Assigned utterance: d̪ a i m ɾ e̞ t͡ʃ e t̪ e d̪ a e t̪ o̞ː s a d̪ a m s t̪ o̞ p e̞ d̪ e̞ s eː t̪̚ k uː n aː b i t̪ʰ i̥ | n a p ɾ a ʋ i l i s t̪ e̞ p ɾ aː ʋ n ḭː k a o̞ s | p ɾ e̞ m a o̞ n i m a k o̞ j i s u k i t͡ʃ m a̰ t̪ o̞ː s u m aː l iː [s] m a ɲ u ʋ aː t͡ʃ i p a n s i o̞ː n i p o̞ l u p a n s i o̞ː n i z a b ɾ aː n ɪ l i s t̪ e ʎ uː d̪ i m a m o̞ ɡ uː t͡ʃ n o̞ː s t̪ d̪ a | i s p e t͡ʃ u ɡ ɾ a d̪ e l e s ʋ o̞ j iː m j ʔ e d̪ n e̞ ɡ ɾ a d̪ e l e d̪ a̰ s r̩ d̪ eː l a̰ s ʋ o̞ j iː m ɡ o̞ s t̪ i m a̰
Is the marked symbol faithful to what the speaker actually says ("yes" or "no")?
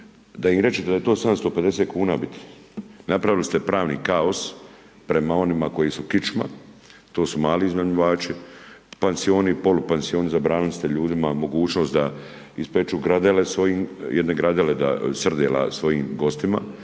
no